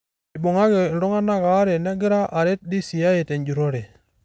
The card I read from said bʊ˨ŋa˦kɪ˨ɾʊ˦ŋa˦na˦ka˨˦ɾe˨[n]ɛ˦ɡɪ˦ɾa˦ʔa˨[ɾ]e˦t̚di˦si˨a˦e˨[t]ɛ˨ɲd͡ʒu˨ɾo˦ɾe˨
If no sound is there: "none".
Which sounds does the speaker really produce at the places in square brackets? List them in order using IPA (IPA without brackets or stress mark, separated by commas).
n, ɾ, t